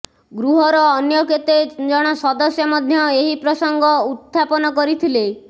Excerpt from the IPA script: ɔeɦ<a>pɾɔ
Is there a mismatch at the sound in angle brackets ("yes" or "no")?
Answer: yes